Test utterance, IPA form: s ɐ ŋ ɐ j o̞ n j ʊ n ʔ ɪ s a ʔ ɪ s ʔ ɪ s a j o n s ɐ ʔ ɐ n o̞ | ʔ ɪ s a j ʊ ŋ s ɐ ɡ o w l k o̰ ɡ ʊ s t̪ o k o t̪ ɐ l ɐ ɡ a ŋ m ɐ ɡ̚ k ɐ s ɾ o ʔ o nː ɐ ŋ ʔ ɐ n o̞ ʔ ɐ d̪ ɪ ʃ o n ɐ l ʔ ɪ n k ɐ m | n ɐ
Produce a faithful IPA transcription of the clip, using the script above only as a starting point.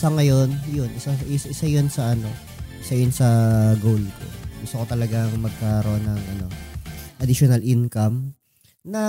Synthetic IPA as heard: s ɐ ŋ ɐ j o̞ n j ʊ n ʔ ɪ s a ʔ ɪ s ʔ ɪ s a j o n s ɐ ʔ ɐ n o̞ | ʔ ɪ s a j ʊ n s ɐ ɡ o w l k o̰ ɡ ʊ s t̪ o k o t̪ ɐ l ɐ ɡ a ŋ m ɐ ɡ̚ k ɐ ɾ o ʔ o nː ɐ ŋ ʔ ɐ n o̞ ʔ ɐ d̪ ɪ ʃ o n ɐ l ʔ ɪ n k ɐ m | n ɐ